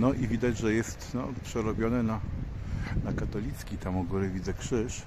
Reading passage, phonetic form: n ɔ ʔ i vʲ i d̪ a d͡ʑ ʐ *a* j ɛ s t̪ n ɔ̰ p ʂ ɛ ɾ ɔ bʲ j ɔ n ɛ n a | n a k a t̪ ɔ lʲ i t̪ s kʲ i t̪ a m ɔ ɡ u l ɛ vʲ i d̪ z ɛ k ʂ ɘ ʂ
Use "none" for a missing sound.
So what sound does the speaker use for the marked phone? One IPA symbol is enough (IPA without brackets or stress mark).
ɛ